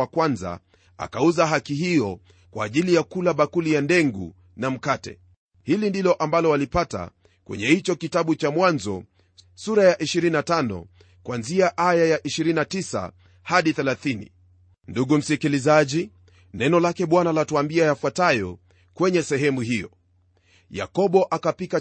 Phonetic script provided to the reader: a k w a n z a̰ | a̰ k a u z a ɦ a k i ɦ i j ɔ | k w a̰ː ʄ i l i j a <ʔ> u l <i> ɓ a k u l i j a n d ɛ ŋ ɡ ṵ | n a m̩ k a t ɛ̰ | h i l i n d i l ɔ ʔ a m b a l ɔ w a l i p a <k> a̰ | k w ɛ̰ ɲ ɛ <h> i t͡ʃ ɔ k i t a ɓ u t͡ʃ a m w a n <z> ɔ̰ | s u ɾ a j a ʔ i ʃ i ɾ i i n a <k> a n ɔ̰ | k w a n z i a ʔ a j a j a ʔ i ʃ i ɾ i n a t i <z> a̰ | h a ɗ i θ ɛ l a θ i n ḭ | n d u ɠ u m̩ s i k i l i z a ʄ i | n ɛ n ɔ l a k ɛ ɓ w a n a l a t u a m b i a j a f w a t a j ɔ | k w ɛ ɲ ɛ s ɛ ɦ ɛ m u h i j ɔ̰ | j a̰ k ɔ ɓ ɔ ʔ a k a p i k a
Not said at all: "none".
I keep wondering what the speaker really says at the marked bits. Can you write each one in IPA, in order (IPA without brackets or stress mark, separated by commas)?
k, a, t, h, z, t, s